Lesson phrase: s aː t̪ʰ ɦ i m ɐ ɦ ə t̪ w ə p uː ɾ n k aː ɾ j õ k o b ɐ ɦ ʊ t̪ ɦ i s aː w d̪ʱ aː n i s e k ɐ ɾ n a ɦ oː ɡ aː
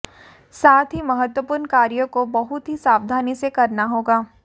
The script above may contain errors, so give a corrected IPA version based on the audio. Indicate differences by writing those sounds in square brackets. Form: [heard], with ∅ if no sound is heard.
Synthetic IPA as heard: s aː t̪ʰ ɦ i m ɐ ɦ ə t̪ w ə p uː ɾ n k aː ɾ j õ k o b ɐ ɦ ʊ t̪ ɦ i s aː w d̪ʱ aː n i s e k ɐ ɾ n a ɦ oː ɡ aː